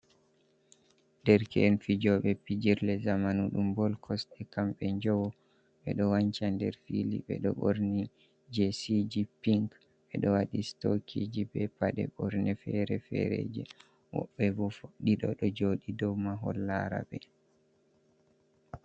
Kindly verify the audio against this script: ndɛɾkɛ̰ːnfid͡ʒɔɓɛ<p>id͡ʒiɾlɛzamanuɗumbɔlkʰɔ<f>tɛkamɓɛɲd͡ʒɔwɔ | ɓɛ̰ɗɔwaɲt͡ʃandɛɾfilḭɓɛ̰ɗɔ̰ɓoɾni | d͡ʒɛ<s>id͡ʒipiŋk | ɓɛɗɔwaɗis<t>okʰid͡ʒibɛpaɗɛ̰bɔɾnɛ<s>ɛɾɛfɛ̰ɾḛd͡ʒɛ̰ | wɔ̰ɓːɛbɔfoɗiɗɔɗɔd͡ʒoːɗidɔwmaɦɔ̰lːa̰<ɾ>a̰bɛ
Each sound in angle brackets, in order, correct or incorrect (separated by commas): correct, incorrect, correct, correct, incorrect, correct